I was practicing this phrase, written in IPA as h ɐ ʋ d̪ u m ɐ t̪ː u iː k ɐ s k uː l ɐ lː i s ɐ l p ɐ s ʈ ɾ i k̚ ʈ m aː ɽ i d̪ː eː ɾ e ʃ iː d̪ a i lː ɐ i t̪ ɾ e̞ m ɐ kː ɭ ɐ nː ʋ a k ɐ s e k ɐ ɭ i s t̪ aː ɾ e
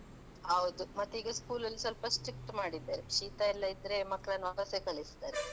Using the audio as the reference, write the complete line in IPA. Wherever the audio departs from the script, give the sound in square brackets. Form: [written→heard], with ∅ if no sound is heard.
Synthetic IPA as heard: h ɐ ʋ d̪ u m ɐ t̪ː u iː [k→ɡ] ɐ s k uː l ɐ lː i s ɐ l p ɐ s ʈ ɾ i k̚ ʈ m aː ɽ i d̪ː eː ɾ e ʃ iː [d̪→t̪] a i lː ɐ i [t̪→d̪] ɾ e̞ m ɐ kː ɭ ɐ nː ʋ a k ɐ s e k ɐ ɭ i s t̪ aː ɾ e

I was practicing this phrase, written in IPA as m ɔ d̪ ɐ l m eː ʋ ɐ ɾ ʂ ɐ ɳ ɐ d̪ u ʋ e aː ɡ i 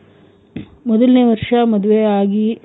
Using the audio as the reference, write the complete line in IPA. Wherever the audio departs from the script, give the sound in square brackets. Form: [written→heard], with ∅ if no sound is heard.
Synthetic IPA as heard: m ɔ d̪ ɐ l [m→n] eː ʋ ɐ ɾ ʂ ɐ [ɳ→m] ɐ d̪ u ʋ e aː ɡ i

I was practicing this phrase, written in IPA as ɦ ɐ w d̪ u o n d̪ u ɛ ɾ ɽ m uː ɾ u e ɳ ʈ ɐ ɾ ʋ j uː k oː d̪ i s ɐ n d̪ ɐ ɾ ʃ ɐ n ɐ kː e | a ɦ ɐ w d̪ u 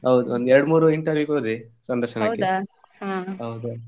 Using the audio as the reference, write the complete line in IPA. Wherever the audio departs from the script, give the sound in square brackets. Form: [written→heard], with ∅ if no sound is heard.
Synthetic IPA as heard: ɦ ɐ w d̪ u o n d̪ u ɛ ɾ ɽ m uː ɾ u [e→i] ɳ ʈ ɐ ɾ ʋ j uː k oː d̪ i s ɐ n d̪ ɐ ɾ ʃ ɐ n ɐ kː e | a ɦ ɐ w d̪ u

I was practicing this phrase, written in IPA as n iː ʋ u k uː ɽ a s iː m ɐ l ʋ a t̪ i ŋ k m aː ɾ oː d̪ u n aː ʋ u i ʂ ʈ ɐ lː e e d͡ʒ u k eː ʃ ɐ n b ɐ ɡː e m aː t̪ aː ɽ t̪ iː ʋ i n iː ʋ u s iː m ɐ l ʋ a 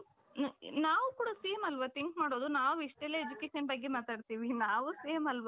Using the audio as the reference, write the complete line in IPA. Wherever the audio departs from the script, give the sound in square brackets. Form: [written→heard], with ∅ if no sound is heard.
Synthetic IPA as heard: n [iː→aː] ʋ u k uː ɽ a s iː m ɐ l ʋ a t̪ i ŋ k m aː [ɾ→ɽ] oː d̪ u n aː ʋ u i ʂ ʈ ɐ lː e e d͡ʒ u k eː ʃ ɐ n b ɐ ɡː e m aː t̪ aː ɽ t̪ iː ʋ i n [iː→aː] ʋ u s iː m ɐ l ʋ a

